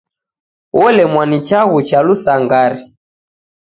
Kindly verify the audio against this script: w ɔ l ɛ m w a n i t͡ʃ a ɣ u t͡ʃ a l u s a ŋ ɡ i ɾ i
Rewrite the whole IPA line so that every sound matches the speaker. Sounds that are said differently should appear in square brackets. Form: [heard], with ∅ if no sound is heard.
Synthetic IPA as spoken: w ɔ l ɛ m w a n i t͡ʃ a ɣ u t͡ʃ a l u s a ŋ ɡ [a] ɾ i